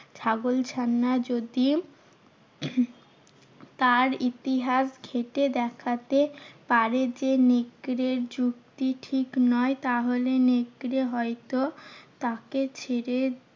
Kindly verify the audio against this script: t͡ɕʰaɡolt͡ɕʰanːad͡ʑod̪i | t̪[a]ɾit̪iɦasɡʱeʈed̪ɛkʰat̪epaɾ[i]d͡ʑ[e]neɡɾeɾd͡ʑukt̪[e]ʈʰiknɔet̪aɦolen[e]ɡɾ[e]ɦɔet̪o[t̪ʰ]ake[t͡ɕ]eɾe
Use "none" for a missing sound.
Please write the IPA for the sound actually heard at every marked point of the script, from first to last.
a, e, e, i, e, e, t̪, t͡ɕʰ

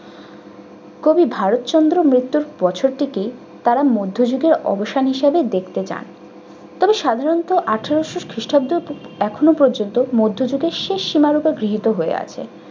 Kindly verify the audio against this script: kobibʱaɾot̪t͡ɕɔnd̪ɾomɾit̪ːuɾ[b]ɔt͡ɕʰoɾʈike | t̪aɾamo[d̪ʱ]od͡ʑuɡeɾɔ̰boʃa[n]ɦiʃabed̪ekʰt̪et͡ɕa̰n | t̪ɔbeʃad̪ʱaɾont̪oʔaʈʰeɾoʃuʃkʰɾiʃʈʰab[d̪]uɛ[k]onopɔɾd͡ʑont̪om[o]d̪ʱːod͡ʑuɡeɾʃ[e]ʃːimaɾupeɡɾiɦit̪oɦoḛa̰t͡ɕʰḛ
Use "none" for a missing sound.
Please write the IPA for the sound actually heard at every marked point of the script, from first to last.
b, d̪ʱː, n, d̪, kʰ, o, e

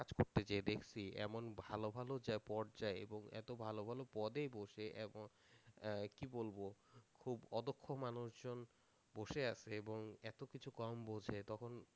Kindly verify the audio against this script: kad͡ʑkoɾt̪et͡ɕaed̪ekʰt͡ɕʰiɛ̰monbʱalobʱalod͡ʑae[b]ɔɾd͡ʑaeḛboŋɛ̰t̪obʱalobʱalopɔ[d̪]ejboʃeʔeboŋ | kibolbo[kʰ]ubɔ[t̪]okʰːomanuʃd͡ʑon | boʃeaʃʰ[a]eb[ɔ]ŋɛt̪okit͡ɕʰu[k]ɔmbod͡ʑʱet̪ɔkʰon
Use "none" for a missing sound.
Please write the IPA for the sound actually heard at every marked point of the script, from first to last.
p, d̪, kʰ, d̪, e, o, k

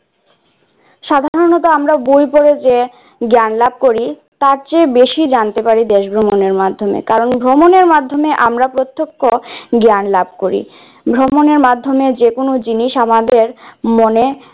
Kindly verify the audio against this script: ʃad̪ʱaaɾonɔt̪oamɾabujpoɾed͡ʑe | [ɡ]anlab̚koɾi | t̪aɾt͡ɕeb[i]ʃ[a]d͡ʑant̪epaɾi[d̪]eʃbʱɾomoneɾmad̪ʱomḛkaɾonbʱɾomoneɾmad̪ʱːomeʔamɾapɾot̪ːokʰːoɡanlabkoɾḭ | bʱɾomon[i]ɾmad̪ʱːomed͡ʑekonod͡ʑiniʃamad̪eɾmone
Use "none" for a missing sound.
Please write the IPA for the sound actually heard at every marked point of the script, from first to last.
ɡ, e, i, d̪, e

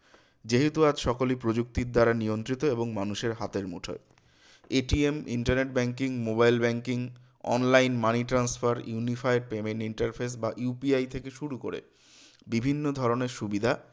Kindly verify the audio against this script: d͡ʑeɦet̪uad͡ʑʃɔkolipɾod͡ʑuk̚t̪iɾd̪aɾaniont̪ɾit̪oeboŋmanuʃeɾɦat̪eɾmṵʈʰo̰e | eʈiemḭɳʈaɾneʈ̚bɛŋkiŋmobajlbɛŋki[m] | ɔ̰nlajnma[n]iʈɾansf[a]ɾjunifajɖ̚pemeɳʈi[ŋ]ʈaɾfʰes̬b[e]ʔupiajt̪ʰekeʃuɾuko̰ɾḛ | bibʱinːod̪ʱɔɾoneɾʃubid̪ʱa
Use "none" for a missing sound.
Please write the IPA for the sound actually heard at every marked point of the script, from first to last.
ŋ, n, a, ɳ, a

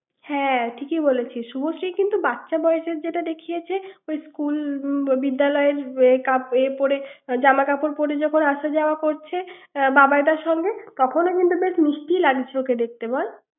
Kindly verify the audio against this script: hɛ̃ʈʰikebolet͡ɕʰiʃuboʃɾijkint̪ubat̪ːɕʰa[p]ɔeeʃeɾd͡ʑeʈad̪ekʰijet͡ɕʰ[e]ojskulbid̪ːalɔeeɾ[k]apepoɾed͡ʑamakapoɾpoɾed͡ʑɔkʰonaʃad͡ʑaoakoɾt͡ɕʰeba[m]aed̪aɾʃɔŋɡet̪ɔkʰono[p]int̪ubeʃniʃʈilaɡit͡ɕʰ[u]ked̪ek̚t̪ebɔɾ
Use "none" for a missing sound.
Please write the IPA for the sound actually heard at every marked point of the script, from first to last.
b, e, k, b, k, o

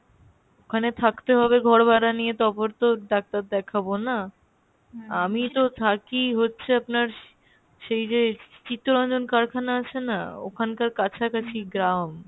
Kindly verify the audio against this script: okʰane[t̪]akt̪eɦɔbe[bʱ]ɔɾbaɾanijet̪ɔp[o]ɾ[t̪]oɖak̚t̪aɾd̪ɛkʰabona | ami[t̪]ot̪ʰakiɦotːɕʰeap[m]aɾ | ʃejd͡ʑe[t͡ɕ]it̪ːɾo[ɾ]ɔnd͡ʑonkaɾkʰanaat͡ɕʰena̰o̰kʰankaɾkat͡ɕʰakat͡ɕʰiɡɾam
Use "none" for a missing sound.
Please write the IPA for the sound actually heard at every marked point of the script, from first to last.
t̪ʰ, ɡʱ, o, t̪, t̪, n, t͡ɕ, ɾ

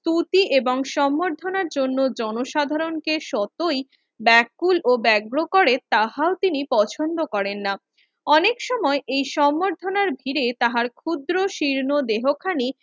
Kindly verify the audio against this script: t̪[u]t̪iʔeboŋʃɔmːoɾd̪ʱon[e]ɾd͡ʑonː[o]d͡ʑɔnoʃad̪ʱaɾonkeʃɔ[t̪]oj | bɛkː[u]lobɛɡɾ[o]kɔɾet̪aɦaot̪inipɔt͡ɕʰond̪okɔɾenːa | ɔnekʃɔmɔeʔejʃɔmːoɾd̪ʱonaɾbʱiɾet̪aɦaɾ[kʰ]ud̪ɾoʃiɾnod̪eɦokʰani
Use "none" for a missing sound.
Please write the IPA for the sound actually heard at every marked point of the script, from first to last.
u, a, o, t̪, u, o, kʰ

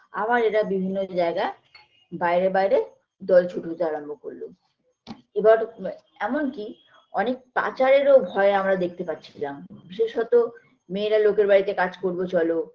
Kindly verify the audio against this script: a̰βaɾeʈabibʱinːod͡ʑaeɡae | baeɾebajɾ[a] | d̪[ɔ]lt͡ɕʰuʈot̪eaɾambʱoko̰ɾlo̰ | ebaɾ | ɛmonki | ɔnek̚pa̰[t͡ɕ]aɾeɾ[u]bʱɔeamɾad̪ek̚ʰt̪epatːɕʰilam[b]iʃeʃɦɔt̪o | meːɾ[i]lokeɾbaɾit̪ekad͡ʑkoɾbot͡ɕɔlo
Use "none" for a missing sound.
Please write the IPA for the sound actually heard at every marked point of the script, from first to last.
e, ɔ, t͡ɕ, o, b, a

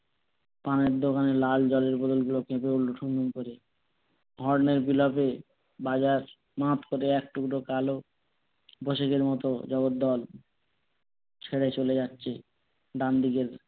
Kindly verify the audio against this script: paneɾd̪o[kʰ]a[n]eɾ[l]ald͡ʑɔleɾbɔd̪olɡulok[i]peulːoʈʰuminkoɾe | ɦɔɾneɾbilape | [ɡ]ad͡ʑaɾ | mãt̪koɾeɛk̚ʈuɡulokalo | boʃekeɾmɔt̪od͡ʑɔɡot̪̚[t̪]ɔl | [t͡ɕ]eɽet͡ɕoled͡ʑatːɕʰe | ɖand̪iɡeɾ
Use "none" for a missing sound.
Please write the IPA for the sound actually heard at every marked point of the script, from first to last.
k, n, l, e, b, d̪, t͡ɕʰ

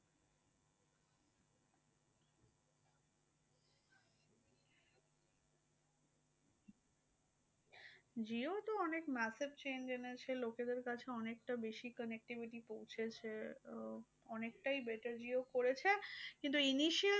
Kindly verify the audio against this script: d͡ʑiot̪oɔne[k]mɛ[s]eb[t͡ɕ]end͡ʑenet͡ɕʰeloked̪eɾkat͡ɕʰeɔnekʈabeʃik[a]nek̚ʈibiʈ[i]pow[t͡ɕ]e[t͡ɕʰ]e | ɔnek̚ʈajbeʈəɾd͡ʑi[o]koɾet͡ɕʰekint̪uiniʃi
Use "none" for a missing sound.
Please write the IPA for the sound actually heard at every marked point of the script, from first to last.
k, s, t͡ɕ, ə, i, t͡ɕʰ, t͡ɕʰ, o

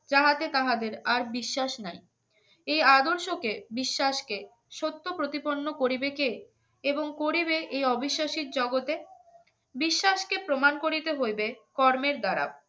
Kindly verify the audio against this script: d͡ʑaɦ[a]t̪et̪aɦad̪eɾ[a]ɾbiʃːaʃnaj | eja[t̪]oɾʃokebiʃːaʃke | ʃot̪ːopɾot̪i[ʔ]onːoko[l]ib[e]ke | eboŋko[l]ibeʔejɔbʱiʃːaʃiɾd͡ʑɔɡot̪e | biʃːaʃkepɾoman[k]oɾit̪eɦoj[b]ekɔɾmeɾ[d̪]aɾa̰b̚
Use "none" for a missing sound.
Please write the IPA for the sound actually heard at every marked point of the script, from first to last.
a, a, d̪, p, ɾ, e, ɾ, k, b, d̪

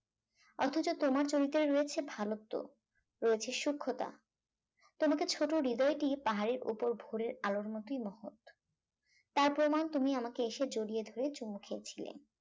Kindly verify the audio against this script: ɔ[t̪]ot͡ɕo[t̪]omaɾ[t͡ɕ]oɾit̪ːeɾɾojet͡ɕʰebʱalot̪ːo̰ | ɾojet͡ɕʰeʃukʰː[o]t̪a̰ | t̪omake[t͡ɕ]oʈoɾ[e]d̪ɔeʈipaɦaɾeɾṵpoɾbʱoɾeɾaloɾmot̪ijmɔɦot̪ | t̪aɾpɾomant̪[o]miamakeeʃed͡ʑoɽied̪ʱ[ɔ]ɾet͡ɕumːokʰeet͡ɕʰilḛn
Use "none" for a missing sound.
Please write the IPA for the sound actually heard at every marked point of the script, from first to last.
t̪ʰ, t̪, t͡ɕ, o, t͡ɕʰ, i, u, o

